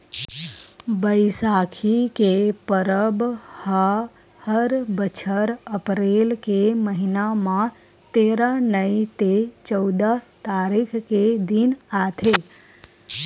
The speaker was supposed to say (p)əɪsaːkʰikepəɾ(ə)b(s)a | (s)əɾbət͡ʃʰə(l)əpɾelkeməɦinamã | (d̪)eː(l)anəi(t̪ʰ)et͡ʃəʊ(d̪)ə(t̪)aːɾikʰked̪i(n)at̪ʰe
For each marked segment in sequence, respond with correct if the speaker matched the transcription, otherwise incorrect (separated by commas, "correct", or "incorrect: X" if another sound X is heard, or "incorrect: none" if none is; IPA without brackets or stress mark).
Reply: incorrect: b, correct, incorrect: h, incorrect: h, incorrect: ɾ, incorrect: t̪, incorrect: ɾ, incorrect: t̪, correct, correct, correct